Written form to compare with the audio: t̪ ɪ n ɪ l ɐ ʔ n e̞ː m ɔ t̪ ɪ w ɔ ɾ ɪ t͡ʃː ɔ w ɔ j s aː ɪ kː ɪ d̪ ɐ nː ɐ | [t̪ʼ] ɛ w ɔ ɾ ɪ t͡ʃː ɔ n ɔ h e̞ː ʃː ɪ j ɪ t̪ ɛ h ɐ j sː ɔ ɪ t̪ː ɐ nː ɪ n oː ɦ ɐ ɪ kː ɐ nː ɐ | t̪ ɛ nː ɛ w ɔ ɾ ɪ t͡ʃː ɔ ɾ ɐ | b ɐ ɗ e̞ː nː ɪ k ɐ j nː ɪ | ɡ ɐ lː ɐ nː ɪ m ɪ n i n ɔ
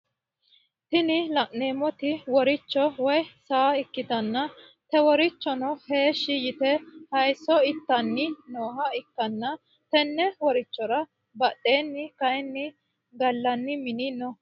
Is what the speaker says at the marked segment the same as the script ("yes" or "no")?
no